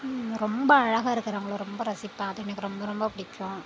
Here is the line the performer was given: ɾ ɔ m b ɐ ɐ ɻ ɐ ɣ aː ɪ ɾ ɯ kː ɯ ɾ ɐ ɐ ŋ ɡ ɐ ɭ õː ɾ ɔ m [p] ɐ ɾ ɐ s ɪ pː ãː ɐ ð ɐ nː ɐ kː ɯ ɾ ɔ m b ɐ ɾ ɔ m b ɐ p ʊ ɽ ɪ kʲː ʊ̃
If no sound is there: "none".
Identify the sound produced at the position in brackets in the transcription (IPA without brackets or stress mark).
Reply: b